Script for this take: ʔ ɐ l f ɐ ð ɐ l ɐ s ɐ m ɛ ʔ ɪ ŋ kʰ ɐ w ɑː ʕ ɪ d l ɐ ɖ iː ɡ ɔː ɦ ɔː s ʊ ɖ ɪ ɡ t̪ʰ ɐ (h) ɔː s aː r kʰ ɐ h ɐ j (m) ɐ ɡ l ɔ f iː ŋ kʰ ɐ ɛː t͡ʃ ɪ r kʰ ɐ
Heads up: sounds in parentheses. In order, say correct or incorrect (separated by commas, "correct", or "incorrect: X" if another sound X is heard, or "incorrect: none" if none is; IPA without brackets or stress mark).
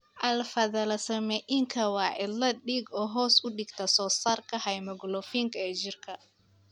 incorrect: s, correct